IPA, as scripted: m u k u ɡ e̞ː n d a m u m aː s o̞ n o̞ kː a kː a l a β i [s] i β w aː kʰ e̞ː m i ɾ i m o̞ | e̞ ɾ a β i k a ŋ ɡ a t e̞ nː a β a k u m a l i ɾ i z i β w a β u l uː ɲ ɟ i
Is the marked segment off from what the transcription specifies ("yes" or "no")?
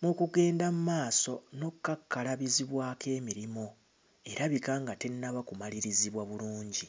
yes